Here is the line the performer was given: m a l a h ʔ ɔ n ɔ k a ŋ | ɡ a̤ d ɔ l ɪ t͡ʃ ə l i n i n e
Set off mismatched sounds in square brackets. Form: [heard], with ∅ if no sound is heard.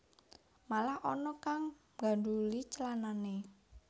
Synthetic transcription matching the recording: m a l a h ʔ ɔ n ɔ k a ŋ | ɡ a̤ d [u] l [i] t͡ʃ ə l [a] n [a] n e